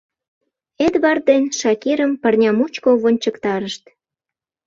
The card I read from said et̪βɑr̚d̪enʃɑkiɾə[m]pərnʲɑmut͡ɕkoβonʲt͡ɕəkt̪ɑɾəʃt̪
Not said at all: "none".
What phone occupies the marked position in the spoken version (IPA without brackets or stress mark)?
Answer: m